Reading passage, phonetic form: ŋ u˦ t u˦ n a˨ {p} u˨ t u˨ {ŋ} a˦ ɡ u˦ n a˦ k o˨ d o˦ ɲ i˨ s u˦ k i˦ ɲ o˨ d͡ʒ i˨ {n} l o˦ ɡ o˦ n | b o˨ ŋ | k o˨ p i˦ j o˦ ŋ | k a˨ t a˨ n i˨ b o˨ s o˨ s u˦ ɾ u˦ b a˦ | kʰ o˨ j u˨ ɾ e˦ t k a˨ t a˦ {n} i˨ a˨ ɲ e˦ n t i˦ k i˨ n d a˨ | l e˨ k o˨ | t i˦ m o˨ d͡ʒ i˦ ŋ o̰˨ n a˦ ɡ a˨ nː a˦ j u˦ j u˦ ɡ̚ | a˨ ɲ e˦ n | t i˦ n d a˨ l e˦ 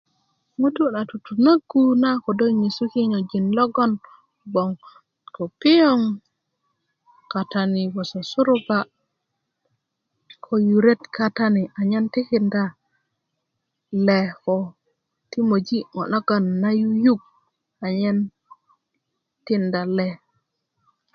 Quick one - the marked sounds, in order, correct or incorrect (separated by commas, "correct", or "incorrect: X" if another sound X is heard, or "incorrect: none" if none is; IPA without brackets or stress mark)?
incorrect: t, incorrect: n, correct, correct